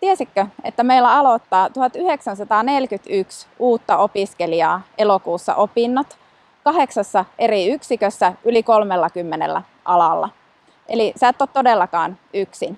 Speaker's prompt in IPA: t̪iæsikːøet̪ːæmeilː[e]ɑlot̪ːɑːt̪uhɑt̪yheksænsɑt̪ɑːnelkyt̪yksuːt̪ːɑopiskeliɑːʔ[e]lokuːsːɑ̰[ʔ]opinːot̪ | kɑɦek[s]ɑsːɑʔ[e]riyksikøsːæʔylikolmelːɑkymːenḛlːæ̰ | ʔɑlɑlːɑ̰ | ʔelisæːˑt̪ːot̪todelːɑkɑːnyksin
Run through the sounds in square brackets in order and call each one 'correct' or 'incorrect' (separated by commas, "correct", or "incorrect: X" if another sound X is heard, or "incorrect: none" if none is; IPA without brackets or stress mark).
incorrect: æ, correct, correct, correct, correct